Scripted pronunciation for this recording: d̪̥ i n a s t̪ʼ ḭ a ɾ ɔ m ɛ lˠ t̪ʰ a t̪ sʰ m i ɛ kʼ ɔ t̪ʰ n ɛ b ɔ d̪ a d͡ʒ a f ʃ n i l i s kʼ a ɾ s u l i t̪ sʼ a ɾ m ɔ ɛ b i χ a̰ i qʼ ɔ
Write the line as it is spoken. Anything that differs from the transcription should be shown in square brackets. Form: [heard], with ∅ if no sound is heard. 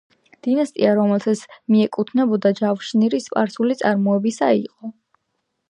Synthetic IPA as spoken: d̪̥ i n a s t̪ʼ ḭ a ɾ ɔ m ɛ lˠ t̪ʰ a t̪ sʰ m i ɛ kʼ [u] t̪ʰ n ɛ b ɔ d̪ a d͡ʒ a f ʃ n i [ɾ] i s [pʼ] a ɾ s u l i t̪ sʼ a ɾ m ɔ ɛ b i [s] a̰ i qʼ ɔ